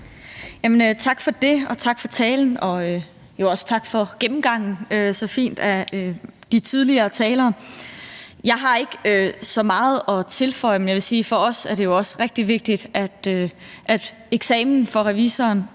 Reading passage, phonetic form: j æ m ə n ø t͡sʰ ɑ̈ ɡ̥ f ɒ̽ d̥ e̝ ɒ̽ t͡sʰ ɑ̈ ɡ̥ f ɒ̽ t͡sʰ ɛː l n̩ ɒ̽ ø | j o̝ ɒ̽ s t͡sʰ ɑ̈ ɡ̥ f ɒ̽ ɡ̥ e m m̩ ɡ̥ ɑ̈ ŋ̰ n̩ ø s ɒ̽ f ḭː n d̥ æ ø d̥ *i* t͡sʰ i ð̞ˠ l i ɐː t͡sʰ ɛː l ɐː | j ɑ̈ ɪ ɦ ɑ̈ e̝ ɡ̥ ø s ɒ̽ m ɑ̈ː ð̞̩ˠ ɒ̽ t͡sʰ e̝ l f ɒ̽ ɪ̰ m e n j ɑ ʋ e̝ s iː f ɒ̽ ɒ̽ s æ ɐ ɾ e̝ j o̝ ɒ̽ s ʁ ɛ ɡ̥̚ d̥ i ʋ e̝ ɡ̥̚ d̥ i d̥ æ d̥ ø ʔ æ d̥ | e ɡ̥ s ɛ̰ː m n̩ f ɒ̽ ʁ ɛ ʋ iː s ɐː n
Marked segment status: correct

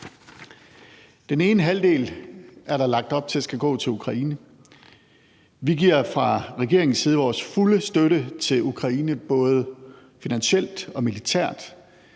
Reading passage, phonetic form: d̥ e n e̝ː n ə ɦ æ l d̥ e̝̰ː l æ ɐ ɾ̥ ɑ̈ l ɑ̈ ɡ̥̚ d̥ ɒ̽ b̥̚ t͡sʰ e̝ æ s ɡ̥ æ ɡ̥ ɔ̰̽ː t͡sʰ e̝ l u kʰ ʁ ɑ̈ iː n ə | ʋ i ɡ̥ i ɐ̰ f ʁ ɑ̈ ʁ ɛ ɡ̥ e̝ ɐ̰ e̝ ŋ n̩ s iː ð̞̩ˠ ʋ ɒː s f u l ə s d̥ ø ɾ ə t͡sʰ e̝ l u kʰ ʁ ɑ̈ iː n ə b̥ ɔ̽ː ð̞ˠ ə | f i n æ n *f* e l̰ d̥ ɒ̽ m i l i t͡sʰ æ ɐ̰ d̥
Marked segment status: incorrect: ɕ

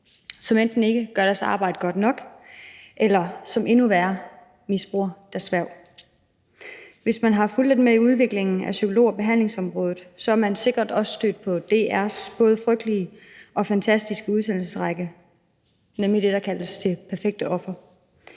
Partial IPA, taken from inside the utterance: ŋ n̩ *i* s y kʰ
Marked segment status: incorrect: æ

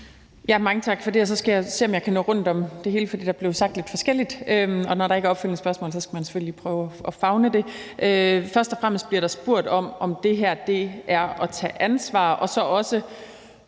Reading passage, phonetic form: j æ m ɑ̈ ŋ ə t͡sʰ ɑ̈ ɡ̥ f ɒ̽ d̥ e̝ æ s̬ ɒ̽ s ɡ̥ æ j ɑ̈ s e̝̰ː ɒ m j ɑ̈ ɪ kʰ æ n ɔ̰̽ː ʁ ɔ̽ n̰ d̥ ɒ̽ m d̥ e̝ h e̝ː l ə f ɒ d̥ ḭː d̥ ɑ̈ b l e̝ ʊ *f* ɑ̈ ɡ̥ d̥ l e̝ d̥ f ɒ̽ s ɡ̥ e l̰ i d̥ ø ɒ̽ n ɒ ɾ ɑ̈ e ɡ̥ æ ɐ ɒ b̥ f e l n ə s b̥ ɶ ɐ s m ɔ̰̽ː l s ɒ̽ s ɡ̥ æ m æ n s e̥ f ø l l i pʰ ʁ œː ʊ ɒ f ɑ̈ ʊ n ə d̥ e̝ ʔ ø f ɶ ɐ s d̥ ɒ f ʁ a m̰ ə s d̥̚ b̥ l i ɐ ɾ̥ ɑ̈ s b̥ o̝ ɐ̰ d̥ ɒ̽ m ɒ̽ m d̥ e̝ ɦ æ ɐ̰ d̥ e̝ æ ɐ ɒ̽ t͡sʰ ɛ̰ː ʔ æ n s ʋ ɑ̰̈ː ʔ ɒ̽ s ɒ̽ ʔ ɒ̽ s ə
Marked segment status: incorrect: s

